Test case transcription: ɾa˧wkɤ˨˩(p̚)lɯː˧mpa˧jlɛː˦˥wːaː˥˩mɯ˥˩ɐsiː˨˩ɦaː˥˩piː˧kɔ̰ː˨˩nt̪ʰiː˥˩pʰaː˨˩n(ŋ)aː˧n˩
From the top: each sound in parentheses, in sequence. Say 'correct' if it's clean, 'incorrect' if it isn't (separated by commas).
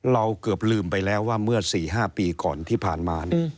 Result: correct, incorrect